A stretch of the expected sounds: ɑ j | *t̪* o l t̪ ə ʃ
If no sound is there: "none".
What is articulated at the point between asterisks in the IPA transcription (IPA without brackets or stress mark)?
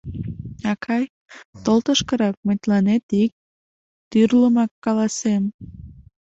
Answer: t̪